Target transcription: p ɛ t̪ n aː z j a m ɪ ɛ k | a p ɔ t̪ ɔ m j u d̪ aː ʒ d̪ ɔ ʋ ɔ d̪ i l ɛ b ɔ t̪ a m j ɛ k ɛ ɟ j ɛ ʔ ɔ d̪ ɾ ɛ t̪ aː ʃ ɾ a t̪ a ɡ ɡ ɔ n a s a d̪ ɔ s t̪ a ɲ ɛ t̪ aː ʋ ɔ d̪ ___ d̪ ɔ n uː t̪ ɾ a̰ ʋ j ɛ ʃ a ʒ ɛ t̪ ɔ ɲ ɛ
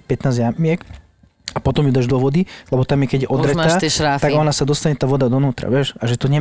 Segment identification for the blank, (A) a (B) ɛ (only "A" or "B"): A